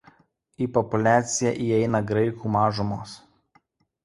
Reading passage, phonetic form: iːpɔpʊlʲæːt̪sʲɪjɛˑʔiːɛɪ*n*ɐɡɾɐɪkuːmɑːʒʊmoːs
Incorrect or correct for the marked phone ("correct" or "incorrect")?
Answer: correct